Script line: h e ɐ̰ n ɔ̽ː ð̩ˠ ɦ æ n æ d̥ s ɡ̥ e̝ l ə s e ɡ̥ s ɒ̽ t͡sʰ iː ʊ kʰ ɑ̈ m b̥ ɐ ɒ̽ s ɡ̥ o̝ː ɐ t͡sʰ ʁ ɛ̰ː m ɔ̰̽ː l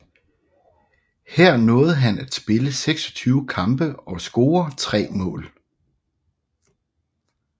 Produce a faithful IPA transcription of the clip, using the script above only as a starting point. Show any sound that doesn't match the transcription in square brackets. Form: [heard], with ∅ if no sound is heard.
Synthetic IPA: h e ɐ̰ n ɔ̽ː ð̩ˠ ɦ æ n æ d̥ s [b̥] e̝ l ə s e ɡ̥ s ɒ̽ t͡sʰ [yː] ʊ kʰ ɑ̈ m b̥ [ə] ɒ̽ s ɡ̥ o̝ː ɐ t͡sʰ ʁ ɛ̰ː m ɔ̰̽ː l